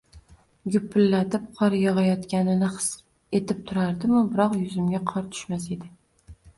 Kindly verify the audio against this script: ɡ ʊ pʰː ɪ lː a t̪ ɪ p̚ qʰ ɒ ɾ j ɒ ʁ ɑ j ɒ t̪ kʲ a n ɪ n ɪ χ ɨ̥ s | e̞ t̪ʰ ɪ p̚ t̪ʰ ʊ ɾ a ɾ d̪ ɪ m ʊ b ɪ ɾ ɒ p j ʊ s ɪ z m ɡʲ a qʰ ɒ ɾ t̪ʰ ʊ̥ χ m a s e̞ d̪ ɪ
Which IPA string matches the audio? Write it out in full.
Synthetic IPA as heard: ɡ ʊ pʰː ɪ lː a t̪ ɪ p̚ qʰ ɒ ɾ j ɒ ʁ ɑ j ɒ t̪ kʲ a n ɪ n ɪ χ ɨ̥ s | e̞ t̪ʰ ɪ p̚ t̪ʰ ʊ ɾ a ɾ d̪ ɪ m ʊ b ɪ ɾ ɒ q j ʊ z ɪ m ɡʲ a qʰ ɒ ɾ t̪ʰ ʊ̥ ʃ m a s e̞ d̪ ɪ